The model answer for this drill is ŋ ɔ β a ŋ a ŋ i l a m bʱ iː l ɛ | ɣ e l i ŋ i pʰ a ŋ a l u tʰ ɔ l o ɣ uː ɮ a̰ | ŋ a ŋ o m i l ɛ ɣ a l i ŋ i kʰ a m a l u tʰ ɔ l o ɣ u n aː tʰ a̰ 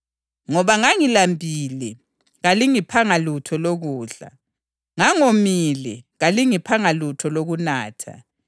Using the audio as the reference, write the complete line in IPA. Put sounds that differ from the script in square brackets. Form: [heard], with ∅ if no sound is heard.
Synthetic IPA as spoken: ŋ ɔ β a ŋ a ŋ i l a m bʱ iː l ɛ | ɣ [a] l i ŋ i pʰ a ŋ a l u tʰ ɔ l o ɣ uː ɮ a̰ | ŋ a ŋ o m i l ɛ ɣ a l i ŋ i [pʰ] a [ŋ] a l u tʰ ɔ l o ɣ u n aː tʰ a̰